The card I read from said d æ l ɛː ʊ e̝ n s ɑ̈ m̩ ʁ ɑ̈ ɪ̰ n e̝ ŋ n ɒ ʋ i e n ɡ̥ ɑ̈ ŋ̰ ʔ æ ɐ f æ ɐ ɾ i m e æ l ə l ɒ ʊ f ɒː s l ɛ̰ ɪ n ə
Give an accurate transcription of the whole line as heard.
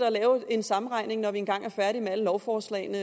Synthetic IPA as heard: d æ l ɛː ʊ e̝ n s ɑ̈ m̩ ʁ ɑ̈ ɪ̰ n e̝ ŋ n ɒ ʋ i e n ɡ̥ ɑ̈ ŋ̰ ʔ æ ɐ f æ ɐ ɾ i m e æ l ə l ɒ ʊ f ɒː s l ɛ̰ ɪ n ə

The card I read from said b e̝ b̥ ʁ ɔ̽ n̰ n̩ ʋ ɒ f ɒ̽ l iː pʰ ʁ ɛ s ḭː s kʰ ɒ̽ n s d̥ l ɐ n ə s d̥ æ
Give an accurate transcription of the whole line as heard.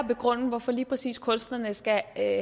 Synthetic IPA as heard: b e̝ ɡ̥ ʁ ɔ̽ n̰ n̩ ʋ ɒ f ɒ̽ l iː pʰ ʁ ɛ s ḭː s kʰ ɔ̽ n s d̥ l ɐ n ə s ɡ̥ æ

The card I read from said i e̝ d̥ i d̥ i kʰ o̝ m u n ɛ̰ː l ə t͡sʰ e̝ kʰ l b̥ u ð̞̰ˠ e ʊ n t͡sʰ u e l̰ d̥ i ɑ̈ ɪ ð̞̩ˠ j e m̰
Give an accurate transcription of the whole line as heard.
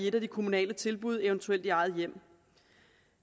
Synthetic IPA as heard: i e̝ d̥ æ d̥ i kʰ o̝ m u n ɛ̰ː l ə t͡sʰ e̝ l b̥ u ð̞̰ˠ e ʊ n t͡sʰ u e l̰ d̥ i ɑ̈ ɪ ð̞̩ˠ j e m̰

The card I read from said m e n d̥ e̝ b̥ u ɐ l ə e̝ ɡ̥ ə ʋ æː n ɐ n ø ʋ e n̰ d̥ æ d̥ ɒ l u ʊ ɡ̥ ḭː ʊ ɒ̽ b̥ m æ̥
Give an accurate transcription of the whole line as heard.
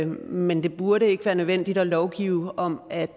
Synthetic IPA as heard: m e n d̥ e̝ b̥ u ɐ ɾ ə e̝ ɡ̥ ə ʋ æː ɐ n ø ʋ e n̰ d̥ i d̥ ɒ l ɒ ʊ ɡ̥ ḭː ʊ ɒ̽ m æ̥

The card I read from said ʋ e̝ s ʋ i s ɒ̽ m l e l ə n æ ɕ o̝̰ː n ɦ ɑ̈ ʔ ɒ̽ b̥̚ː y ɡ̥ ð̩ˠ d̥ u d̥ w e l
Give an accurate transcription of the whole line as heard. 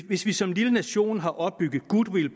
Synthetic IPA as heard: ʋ e̝ s ʋ i s ɒ̽ m l i l ə n æ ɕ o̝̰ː n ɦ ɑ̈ ʔ ɒ̽ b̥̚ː y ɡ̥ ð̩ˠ ɡ̥ u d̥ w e l

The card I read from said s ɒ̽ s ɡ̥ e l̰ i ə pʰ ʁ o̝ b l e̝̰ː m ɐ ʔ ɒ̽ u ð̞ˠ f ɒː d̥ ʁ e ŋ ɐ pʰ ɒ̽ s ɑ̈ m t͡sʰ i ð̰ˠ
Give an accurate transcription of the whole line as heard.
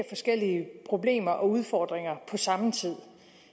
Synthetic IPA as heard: f ɒ̽ s ɡ̥ e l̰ i ə pʰ ʁ o̝ b l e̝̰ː m ɐ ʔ ɒ̽ u ð̞ˠ f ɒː d̥ ʁ e ŋ ɐ pʰ ɒ̽ s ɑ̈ m t͡sʰ i ð̰ˠ

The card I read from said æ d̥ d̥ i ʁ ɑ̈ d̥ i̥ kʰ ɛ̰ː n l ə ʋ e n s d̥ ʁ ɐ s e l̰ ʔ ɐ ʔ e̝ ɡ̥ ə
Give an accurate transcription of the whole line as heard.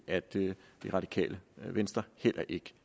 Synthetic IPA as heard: æ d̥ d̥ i ʁ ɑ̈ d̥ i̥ kʰ ɛ̰ː l ə ʋ e n s d̥ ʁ ɐ h e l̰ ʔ ɐ ʔ e̝ ɡ̥ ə

